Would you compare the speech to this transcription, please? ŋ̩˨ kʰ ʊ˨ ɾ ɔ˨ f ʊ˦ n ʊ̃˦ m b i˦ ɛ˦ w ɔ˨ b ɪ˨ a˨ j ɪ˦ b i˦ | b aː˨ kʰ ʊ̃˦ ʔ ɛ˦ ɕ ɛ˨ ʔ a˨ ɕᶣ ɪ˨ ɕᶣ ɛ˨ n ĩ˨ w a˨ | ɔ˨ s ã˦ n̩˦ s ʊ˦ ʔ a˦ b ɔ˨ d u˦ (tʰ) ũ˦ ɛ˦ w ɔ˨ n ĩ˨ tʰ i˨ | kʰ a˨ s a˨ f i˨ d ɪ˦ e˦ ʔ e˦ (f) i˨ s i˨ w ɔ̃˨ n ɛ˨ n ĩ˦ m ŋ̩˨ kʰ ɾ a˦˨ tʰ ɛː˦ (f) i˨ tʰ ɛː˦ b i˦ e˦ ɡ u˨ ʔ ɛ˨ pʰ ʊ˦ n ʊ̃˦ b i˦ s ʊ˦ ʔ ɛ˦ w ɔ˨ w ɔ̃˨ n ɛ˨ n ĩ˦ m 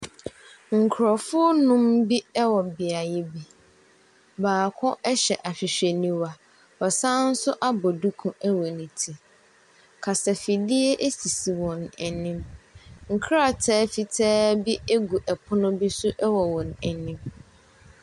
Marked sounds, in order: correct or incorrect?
incorrect, incorrect, correct

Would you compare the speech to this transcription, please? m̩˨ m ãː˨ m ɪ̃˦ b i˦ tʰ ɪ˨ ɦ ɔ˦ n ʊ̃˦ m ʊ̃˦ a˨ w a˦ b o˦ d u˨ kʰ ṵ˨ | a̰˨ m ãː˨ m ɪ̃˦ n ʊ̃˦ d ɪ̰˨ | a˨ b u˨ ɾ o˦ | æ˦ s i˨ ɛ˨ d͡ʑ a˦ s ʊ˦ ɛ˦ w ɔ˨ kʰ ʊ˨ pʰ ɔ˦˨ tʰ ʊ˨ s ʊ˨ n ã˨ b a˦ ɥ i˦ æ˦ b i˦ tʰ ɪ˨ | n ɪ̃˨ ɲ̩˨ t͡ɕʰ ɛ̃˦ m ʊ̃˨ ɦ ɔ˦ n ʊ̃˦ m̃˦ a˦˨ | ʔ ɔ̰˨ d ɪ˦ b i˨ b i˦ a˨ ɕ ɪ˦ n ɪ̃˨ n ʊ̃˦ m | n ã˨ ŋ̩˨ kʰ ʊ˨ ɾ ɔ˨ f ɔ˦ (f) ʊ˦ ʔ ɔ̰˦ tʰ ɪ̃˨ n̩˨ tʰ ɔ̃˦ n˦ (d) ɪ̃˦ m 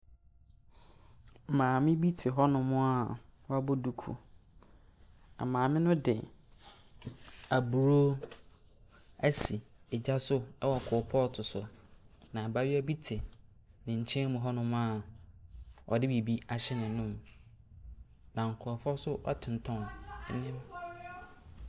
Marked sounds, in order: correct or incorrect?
incorrect, incorrect

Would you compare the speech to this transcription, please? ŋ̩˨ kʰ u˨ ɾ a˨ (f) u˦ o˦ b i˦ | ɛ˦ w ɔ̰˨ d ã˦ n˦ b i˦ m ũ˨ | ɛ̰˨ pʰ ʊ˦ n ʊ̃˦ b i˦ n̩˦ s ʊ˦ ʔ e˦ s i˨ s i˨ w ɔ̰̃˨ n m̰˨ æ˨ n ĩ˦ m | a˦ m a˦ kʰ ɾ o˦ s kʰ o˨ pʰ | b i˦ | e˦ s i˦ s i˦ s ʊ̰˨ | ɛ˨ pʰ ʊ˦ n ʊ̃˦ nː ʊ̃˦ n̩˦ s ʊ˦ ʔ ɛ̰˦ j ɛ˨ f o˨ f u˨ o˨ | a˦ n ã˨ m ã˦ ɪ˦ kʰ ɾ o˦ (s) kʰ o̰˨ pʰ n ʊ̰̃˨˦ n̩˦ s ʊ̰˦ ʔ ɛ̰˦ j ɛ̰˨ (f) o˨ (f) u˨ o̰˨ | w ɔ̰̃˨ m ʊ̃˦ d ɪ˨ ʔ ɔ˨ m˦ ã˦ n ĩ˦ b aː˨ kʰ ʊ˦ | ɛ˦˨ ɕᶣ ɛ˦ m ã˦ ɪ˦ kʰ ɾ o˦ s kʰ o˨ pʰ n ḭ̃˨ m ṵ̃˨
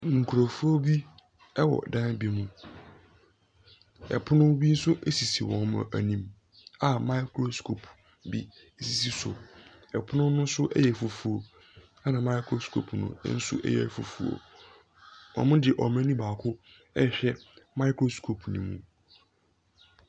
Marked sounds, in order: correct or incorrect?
correct, correct, correct, correct

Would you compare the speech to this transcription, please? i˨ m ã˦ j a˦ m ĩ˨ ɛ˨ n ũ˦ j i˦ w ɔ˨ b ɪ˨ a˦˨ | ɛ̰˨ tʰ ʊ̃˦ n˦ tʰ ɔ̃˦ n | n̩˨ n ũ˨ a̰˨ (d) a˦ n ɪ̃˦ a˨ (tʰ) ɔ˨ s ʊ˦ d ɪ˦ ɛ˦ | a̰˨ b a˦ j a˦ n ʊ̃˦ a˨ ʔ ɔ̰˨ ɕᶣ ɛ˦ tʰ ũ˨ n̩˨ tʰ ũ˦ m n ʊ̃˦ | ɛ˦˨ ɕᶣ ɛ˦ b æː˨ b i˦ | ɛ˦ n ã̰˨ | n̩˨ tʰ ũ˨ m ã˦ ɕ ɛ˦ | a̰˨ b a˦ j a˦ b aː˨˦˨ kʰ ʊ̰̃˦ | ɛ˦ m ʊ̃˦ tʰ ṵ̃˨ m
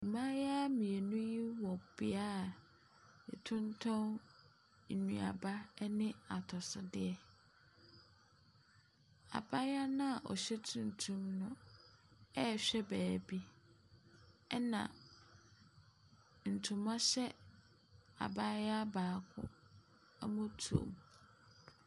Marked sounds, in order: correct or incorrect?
incorrect, correct

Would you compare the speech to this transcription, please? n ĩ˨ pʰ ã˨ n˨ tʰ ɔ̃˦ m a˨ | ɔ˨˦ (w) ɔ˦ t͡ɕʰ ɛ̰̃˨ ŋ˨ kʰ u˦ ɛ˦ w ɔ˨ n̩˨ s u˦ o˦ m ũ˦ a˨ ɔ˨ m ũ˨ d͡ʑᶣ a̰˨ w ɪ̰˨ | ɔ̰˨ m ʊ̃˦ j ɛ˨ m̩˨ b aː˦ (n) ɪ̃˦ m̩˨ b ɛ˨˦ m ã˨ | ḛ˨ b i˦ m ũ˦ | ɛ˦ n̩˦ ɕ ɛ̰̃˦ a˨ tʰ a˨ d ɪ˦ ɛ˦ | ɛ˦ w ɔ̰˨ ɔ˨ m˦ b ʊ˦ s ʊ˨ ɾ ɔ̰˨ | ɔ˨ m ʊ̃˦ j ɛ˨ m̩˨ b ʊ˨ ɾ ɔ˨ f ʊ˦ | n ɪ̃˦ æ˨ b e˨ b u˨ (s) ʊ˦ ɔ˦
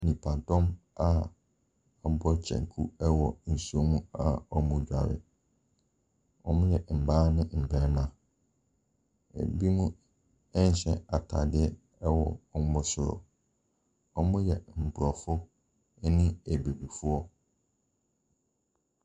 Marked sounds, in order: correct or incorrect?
incorrect, correct, incorrect

